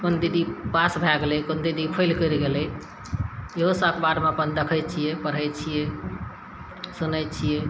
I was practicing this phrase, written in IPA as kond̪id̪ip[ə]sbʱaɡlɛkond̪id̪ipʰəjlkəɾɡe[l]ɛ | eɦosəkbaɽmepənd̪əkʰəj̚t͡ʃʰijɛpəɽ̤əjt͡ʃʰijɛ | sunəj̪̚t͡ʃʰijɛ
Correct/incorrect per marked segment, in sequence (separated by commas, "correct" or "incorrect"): incorrect, correct